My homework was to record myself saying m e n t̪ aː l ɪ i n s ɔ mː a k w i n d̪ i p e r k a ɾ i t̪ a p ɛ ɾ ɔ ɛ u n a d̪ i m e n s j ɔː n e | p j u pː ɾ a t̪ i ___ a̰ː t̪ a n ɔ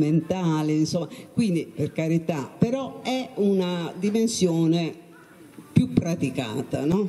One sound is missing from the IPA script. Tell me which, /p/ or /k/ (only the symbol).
k